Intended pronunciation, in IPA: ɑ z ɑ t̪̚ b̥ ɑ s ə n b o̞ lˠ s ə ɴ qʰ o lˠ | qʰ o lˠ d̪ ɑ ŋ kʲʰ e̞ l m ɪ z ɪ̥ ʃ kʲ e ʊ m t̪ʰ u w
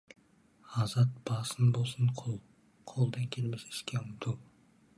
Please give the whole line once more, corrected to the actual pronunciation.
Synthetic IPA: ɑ z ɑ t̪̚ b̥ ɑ s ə n b o̞ lˠ s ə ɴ qʰ o lˠ | qʰ o lˠ d̪ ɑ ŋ kʲʰ e̞ l m ɪ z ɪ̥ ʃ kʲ e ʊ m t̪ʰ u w